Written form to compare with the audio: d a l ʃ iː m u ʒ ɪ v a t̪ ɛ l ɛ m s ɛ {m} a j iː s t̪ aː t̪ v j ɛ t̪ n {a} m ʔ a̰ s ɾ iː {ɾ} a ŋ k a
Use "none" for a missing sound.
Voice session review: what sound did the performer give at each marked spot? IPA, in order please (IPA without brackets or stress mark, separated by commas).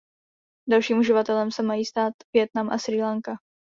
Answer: m, a, l